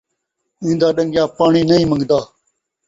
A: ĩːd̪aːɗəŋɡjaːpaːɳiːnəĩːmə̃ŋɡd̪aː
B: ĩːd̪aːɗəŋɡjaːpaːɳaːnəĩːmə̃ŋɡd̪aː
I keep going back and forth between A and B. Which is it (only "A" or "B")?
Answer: A